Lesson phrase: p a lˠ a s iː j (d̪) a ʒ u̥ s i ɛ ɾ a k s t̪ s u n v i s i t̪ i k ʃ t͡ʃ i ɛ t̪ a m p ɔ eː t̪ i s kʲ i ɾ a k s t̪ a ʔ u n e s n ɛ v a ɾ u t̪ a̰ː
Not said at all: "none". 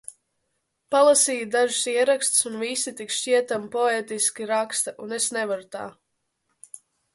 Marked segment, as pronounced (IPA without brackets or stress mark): d̪